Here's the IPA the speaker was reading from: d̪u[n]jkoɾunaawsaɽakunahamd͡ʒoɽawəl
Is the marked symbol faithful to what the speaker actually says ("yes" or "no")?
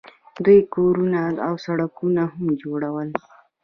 no